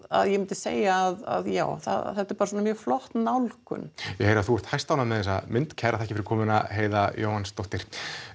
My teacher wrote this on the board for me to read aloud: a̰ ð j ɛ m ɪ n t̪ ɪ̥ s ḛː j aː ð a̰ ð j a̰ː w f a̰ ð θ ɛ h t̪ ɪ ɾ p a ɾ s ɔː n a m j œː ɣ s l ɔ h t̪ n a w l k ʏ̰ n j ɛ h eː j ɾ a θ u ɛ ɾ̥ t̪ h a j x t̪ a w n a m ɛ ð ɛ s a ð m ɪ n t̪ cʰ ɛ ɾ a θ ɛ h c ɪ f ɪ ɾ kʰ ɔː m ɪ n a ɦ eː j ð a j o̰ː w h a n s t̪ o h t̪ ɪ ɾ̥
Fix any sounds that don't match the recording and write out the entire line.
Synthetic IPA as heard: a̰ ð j ɛ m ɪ n t̪ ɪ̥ s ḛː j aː ð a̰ ð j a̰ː w θ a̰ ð θ ɛ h t̪ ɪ ɾ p a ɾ s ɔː n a m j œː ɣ f l ɔ h t̪ n a w l k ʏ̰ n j ɛ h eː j ɾ a θ u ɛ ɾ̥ t̪ h a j s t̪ a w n a m ɛ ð ɛ s a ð m ɪ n t̪ cʰ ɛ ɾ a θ ɛ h c ɪ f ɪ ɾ kʰ ɔː m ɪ n a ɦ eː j ð a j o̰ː w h a n s t̪ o h t̪ ɪ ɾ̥